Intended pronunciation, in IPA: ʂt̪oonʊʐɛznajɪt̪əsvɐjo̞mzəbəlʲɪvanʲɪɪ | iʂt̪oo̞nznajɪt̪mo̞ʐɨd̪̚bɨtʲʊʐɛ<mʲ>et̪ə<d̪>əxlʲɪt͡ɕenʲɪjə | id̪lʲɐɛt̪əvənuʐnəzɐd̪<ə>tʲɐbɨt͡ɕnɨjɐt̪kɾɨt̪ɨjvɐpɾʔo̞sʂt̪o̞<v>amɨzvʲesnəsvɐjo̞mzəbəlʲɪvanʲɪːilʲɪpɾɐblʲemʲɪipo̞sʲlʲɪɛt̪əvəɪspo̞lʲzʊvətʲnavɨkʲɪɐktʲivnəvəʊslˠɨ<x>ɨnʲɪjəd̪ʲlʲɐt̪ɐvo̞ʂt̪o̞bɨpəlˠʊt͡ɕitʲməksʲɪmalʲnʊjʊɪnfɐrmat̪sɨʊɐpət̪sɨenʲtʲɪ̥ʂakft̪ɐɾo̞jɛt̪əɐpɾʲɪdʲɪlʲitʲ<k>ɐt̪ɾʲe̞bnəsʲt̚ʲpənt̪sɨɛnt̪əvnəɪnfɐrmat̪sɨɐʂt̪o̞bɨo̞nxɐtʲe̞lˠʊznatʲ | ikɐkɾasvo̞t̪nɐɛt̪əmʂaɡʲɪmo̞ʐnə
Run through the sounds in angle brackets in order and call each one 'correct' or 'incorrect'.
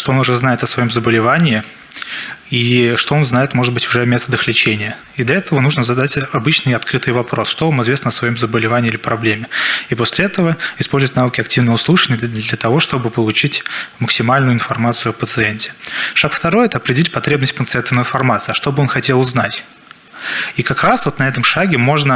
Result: correct, correct, incorrect, correct, incorrect, incorrect

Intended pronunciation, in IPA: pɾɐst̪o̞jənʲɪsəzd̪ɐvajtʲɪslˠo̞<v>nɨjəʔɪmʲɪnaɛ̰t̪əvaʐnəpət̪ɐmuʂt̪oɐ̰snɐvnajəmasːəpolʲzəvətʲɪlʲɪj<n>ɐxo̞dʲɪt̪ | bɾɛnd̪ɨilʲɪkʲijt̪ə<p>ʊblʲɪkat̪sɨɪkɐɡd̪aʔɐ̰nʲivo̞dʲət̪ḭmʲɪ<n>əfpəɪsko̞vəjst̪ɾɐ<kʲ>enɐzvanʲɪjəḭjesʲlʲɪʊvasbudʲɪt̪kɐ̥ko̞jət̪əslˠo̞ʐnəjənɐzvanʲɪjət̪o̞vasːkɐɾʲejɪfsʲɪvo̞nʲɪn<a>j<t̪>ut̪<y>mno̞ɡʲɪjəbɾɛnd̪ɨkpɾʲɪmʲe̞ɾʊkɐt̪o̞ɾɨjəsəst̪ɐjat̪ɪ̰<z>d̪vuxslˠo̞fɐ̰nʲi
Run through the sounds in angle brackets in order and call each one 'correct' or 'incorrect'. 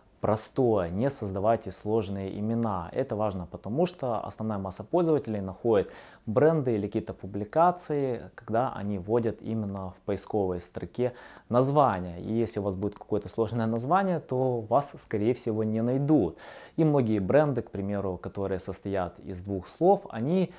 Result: incorrect, correct, correct, incorrect, correct, incorrect, incorrect, incorrect, correct

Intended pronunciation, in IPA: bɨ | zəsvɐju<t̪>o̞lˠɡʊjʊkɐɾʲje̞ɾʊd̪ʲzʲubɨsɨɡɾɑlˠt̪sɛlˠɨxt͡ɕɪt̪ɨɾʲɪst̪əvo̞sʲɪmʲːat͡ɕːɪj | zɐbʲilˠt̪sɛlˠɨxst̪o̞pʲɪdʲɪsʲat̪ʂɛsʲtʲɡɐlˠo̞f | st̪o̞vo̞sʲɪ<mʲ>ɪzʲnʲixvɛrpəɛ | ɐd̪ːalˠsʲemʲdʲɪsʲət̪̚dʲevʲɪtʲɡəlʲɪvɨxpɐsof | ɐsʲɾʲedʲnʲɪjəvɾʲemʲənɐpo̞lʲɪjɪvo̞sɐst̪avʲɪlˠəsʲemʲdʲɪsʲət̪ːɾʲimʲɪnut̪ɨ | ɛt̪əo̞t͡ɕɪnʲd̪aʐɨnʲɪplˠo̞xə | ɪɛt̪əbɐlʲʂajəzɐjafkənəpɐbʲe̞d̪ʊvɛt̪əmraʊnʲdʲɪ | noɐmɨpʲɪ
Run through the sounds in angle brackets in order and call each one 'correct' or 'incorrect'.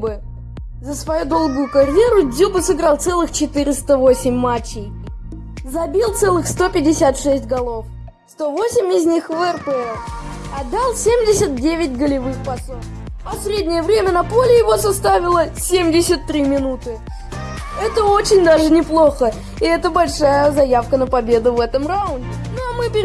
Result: incorrect, correct

